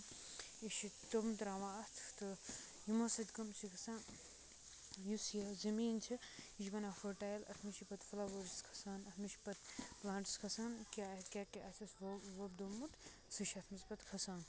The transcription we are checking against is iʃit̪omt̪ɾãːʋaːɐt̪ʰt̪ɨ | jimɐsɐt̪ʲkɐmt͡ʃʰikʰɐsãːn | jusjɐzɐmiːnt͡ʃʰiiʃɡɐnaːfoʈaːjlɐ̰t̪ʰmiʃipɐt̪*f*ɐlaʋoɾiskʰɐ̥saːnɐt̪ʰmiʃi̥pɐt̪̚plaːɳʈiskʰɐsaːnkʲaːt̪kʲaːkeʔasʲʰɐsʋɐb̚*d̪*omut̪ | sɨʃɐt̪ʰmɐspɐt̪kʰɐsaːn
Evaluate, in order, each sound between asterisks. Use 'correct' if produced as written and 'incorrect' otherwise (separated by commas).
correct, correct